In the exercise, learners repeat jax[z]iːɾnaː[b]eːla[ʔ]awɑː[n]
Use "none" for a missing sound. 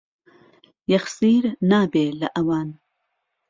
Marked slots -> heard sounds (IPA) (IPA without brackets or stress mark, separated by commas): s, b, ʔ, n